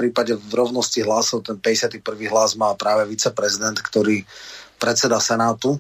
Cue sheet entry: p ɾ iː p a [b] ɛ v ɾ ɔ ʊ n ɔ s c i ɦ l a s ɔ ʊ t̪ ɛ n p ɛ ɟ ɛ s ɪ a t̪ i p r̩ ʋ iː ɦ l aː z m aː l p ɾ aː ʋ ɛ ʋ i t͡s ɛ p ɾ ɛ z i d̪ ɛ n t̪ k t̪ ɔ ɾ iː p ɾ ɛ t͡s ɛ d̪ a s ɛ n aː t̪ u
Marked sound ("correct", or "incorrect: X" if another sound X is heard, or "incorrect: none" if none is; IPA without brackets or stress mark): incorrect: ɟ